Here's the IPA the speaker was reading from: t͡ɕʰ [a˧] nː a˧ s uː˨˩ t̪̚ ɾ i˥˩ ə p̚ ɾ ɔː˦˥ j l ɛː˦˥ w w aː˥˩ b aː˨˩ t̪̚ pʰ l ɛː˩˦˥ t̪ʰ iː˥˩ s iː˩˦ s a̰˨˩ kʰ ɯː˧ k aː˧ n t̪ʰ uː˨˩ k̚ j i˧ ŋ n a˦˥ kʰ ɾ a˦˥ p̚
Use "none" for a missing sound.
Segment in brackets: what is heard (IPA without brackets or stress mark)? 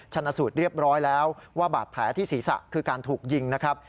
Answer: a˧